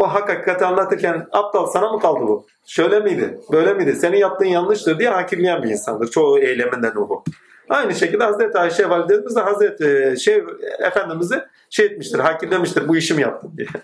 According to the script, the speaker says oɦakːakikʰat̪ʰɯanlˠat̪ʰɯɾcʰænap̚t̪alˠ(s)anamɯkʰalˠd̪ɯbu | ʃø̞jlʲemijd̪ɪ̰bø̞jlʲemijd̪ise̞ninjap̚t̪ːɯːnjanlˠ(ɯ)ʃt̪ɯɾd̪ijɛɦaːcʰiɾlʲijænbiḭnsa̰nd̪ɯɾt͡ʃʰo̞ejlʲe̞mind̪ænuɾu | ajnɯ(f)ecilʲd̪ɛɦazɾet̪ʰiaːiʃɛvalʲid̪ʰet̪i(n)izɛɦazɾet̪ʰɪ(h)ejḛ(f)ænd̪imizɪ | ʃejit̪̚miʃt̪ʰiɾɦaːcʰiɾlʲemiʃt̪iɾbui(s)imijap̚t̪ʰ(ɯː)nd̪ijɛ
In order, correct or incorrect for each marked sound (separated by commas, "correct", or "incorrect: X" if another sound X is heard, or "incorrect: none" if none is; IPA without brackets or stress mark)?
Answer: correct, correct, incorrect: ʃ, incorrect: m, incorrect: ʃ, correct, incorrect: ʃ, incorrect: ɯ